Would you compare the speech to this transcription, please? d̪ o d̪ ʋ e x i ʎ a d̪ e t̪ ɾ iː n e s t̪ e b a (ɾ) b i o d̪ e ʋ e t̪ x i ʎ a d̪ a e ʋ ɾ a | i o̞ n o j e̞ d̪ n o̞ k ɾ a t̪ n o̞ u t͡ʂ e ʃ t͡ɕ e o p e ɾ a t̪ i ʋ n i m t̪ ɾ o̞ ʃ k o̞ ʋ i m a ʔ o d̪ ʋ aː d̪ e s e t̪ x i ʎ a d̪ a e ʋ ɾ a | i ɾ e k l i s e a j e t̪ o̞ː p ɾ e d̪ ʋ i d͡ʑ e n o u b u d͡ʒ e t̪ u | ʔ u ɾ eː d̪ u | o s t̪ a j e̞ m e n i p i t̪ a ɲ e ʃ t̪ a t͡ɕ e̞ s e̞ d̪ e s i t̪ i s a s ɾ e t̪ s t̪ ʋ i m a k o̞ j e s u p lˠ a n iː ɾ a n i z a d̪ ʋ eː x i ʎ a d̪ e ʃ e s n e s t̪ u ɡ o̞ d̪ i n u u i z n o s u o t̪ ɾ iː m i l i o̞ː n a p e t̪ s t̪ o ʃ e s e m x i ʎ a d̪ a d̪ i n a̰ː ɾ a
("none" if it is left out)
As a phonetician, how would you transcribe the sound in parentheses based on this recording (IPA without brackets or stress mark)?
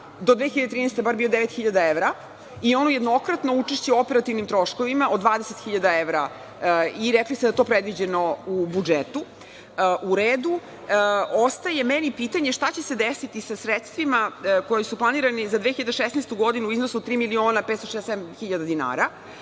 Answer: ɾ